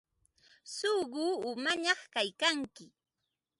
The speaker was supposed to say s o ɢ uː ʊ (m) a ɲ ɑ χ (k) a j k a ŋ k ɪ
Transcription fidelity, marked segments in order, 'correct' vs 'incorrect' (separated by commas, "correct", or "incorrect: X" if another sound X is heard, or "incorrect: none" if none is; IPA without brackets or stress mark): correct, correct